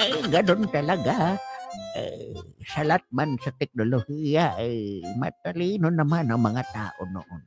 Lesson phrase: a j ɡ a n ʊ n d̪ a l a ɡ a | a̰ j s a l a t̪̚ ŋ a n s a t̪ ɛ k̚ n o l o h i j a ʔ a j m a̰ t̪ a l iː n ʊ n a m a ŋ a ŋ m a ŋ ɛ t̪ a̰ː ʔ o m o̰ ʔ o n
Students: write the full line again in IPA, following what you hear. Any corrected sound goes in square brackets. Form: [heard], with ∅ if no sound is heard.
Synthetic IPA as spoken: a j ɡ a n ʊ n [t̪] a l a ɡ a | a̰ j s a l a t̪̚ [m] a n s a t̪ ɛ k̚ n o l o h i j a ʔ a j m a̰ t̪ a l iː n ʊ n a m a [n] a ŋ m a ŋ [a] t̪ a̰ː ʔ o [n] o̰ ʔ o n